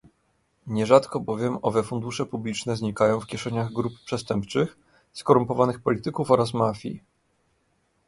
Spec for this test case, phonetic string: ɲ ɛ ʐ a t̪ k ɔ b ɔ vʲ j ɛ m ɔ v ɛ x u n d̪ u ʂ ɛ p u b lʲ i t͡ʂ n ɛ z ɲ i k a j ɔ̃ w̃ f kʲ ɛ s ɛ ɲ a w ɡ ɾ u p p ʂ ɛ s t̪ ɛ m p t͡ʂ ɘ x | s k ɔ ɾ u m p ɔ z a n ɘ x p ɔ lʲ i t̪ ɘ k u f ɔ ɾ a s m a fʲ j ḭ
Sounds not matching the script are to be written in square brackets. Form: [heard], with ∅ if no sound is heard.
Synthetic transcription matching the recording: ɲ ɛ ʐ a t̪ k ɔ b ɔ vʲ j ɛ m ɔ v ɛ [f] u n d̪ u ʂ ɛ p u b lʲ i t͡ʂ n ɛ z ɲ i k a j ɔ̃ w̃ f kʲ ɛ [ʂ] ɛ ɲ a [ɣ] ɡ ɾ u p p ʂ ɛ s t̪ ɛ m p t͡ʂ ɘ x | s k ɔ ɾ u m p ɔ [v] a n ɘ x p ɔ lʲ i t̪ ɘ k u f ɔ ɾ a s m a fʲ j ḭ